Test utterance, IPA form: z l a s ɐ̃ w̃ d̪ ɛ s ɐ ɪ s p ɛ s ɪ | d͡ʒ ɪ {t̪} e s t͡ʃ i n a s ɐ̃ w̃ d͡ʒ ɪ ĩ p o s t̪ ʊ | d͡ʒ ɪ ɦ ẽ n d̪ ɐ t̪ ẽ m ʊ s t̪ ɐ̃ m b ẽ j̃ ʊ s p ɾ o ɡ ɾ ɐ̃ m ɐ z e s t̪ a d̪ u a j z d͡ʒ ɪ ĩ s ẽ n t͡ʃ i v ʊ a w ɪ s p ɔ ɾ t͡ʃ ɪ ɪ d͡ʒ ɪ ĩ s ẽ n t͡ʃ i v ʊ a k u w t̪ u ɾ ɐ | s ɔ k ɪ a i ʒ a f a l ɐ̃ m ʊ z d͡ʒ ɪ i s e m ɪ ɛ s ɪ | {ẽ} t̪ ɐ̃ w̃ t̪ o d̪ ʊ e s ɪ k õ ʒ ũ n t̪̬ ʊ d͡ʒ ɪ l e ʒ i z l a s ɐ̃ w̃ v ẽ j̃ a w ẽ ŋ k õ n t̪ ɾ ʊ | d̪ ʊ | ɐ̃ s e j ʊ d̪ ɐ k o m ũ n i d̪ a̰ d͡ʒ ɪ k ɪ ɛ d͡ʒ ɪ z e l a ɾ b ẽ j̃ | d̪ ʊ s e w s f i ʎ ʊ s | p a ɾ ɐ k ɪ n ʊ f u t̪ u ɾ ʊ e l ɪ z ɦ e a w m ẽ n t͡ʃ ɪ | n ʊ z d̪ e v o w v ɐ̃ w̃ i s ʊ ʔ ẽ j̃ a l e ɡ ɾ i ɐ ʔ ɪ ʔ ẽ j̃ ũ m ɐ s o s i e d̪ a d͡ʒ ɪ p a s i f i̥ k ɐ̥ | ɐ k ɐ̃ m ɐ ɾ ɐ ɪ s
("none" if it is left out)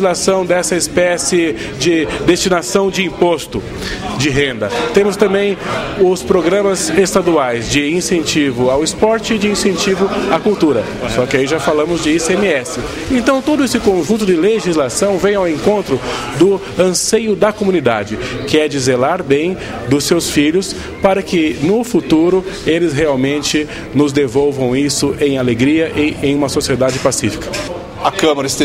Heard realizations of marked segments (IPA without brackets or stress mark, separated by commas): d̪, ẽ